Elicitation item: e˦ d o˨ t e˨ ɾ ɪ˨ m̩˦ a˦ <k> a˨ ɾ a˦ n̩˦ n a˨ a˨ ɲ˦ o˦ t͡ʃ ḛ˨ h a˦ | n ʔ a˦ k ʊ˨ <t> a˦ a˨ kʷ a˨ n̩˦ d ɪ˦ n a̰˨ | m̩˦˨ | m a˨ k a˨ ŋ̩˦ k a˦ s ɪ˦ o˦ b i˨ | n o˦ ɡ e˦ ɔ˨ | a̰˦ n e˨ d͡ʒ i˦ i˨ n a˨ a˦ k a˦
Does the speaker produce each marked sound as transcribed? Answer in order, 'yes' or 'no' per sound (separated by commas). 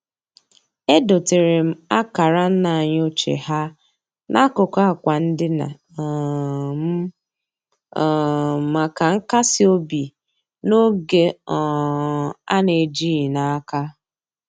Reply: yes, no